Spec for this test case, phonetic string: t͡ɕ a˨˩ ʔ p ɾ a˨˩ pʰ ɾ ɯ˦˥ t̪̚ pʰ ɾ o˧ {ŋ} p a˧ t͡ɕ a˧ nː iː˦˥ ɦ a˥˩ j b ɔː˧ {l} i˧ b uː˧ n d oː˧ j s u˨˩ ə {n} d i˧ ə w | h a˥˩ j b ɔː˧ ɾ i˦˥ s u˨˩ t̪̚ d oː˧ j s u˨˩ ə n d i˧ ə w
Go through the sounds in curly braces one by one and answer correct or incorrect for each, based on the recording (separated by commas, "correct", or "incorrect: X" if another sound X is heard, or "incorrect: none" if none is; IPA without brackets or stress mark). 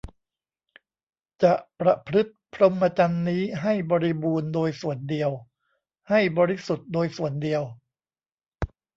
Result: incorrect: m, incorrect: ɾ, correct